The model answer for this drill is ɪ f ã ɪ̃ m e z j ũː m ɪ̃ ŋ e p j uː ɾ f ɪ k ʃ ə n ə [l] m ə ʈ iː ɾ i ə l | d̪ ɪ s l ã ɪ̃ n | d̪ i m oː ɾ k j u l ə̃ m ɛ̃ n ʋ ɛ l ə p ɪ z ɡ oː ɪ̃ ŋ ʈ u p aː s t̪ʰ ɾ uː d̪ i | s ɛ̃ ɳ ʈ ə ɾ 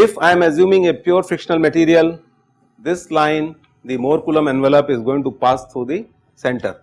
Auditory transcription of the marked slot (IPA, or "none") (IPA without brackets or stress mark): l